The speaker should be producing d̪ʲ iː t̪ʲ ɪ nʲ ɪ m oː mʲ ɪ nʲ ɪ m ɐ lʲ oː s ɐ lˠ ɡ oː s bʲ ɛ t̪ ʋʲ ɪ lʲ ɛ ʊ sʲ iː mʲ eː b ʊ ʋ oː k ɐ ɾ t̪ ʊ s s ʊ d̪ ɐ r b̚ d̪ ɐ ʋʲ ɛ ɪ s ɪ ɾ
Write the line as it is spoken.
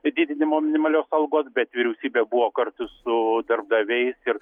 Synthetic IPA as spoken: d̪ʲ iː d̪ʲ ɪ nʲ ɪ m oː mʲ ɪ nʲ ɪ m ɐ lʲ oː s ɐ lˠ ɡ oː s bʲ ɛ t̪ ʋʲ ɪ ɾʲ ɛ ʊ sʲ iː bʲ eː b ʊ ʋ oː k ɐ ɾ t̪ ʊ s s ʊ d̪ ɐ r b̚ d̪ ɐ ʋʲ ɛ ɪ s ɪ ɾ